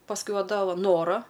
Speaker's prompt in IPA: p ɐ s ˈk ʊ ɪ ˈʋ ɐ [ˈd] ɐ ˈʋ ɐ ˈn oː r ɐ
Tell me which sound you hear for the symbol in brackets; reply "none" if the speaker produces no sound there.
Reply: d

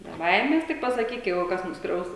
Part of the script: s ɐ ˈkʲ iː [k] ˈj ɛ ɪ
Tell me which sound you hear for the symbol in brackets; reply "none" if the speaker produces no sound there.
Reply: k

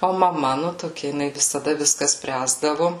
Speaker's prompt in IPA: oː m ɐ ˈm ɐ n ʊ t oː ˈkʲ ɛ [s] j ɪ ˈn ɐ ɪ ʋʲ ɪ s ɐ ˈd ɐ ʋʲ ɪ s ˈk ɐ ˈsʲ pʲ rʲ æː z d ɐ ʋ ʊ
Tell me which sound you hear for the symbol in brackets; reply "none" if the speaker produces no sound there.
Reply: none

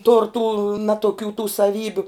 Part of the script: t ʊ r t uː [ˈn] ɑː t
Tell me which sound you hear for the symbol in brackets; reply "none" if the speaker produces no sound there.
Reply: n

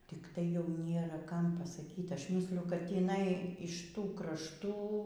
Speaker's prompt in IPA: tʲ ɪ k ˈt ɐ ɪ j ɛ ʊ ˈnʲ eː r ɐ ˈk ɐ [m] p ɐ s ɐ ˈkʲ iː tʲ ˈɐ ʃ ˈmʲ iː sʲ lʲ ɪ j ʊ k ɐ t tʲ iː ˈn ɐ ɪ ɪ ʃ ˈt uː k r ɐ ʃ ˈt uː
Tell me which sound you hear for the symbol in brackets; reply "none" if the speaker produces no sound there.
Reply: m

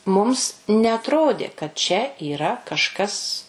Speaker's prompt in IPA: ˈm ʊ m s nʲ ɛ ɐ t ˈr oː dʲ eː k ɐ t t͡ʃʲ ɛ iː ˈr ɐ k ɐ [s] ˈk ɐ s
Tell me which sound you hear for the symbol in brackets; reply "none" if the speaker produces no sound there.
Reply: ʃ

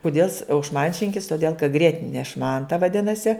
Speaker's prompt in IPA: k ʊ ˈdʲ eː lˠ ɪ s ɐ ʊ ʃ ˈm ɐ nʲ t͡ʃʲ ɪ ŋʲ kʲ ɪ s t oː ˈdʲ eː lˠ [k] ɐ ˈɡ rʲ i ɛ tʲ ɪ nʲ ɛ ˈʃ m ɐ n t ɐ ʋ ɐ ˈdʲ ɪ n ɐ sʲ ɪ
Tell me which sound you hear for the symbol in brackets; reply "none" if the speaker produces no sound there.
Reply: k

